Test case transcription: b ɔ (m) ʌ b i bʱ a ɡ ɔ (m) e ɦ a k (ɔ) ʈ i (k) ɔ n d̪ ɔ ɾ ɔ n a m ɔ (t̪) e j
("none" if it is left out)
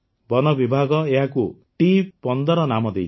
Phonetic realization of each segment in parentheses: n, none, u, p, d̪

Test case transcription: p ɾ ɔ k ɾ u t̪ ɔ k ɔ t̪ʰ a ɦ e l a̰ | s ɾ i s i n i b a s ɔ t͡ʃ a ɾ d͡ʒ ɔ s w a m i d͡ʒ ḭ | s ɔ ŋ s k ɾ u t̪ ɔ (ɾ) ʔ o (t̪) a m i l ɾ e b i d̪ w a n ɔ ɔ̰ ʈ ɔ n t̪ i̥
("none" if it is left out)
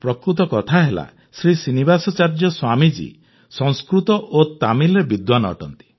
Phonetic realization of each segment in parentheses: none, t̪

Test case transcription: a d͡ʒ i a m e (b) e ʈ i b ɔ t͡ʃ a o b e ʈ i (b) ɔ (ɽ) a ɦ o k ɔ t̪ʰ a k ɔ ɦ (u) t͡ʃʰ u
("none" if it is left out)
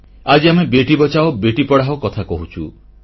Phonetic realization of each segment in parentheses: b, p, ɽ, u

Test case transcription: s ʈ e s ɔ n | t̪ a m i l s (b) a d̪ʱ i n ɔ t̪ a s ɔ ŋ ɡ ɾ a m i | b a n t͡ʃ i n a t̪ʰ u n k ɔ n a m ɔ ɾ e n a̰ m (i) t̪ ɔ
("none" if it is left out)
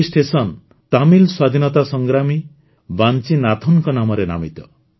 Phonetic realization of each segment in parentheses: w, i

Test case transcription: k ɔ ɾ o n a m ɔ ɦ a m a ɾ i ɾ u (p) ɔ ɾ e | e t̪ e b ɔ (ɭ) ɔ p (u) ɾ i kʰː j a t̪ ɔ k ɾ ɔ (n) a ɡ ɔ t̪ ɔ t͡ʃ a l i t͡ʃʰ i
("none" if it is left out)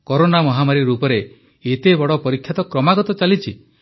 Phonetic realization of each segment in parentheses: p, ɽ, ɔ, m

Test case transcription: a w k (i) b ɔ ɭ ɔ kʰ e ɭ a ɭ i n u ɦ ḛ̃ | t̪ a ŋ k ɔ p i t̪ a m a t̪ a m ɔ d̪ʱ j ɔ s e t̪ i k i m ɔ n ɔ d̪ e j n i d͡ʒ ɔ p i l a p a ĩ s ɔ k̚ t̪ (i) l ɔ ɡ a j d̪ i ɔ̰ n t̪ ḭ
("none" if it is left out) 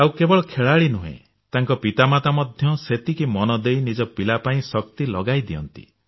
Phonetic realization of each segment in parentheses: e, i

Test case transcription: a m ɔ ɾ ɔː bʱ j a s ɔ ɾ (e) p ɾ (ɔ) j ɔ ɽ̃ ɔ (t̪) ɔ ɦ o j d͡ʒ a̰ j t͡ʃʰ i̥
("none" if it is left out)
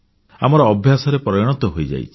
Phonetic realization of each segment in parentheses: e, ɔ, t̪

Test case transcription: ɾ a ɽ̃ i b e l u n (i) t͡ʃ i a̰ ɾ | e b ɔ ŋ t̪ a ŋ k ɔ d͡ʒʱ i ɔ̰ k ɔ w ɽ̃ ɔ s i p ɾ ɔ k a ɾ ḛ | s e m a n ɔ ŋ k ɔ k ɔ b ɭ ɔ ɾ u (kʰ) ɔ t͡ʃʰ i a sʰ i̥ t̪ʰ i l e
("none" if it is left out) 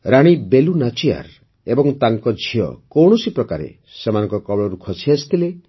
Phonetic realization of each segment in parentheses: a, kʰ

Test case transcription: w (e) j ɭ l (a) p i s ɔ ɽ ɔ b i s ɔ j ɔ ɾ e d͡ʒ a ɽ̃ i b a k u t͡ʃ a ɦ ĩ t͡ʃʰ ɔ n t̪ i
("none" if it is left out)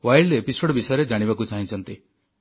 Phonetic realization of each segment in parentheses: a, e

